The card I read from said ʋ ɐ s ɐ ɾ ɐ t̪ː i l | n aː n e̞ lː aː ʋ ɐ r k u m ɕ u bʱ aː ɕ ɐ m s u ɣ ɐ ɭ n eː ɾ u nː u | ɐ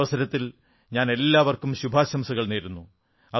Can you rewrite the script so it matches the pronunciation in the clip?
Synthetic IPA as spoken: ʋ ɐ s ɐ ɾ ɐ t̪ː i l | ɲ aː n e̞ lː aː ʋ ɐ r k u m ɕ u bʱ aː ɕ ɐ m s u ɣ ɐ ɭ n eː ɾ u nː u | ɐ